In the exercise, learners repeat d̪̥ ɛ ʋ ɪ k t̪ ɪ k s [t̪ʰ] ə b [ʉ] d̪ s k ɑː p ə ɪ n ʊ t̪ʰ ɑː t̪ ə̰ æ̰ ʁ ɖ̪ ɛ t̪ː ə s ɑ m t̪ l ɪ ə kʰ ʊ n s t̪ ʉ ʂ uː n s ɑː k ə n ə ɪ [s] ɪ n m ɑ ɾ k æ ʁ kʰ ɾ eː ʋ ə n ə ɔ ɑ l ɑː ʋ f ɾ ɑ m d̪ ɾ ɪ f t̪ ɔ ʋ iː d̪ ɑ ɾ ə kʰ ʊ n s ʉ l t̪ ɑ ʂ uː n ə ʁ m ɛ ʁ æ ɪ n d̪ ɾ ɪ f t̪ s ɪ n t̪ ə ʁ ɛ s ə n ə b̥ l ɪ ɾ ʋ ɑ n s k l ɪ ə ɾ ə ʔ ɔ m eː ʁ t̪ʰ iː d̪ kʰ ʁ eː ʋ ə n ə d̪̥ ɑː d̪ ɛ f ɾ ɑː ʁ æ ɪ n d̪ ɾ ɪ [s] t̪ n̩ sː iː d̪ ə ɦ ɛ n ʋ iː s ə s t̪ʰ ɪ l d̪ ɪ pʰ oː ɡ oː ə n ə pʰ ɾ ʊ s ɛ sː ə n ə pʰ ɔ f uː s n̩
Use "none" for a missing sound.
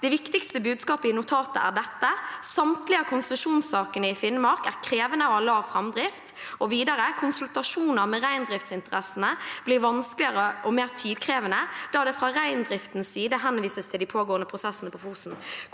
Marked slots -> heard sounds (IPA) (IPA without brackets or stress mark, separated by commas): t̪, ʉː, f, f